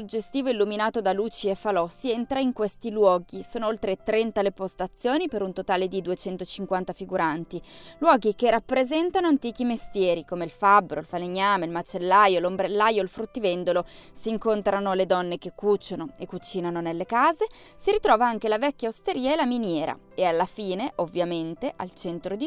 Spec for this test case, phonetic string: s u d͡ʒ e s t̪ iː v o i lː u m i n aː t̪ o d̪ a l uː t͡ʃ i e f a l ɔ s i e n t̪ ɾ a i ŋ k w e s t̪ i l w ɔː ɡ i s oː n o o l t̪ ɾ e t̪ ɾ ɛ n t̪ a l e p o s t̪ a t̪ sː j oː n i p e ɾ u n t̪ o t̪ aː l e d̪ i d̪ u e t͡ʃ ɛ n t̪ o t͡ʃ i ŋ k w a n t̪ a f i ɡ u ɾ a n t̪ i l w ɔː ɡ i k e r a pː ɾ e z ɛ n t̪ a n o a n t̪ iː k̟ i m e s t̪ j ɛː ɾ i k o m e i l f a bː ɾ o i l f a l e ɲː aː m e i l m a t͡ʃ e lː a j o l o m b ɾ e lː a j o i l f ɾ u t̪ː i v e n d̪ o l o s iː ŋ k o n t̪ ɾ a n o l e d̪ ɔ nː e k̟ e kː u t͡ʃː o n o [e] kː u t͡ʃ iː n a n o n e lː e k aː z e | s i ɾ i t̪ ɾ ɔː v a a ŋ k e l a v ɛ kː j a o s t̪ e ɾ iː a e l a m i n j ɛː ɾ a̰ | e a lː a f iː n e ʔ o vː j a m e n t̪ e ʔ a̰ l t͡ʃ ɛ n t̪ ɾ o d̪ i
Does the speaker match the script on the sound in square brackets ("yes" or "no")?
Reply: yes